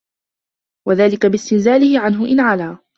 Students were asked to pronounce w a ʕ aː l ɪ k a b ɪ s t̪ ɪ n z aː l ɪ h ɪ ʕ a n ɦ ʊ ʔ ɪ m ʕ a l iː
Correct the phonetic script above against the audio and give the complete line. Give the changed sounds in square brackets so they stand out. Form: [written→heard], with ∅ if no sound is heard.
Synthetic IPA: w a [ʕ→ð] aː l ɪ k a b ɪ s t̪ ɪ n z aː l ɪ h ɪ ʕ a n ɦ ʊ ʔ ɪ [m→n] ʕ a l [iː→aː]